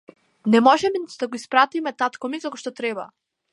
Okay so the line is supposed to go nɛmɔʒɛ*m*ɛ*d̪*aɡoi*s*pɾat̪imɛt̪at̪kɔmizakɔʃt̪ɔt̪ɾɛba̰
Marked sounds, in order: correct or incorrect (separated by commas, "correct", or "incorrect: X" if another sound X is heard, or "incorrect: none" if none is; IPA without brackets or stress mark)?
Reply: correct, correct, correct